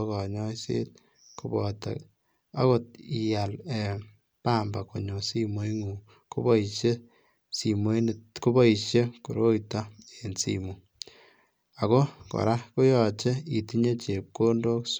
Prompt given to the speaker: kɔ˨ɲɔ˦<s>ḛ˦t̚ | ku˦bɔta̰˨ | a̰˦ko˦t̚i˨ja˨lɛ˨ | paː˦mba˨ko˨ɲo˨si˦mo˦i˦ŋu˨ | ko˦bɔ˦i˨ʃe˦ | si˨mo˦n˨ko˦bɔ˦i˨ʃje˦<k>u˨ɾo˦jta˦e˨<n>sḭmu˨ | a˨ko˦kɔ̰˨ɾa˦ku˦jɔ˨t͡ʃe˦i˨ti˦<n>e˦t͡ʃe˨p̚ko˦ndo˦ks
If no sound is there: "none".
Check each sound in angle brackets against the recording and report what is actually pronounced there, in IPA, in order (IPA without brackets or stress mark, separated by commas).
s, k, n, ɲ